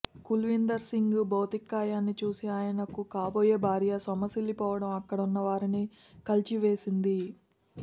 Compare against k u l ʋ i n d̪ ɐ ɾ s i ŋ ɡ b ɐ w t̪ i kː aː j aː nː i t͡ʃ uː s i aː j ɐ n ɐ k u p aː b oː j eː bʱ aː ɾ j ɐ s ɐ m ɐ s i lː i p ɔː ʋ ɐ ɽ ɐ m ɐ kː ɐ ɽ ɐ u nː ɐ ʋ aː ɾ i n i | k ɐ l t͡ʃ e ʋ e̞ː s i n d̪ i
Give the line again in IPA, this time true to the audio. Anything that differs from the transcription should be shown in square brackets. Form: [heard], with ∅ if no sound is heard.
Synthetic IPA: k u l ʋ i n d̪ ɐ ɾ s i ŋ ɡ b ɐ w t̪ i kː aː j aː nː i t͡ʃ uː s i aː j ɐ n ɐ k u [k] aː b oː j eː bʱ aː ɾ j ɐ s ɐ m ɐ s i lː i p ɔː ʋ ɐ ɽ ɐ m ɐ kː ɐ ɽ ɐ u nː ɐ ʋ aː ɾ i n i | k ɐ l t͡ʃ [i] ʋ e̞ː s i n d̪ i